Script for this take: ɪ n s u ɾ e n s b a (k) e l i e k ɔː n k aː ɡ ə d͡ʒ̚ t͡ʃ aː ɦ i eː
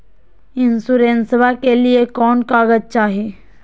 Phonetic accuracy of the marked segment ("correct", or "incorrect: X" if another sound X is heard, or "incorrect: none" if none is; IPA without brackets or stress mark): correct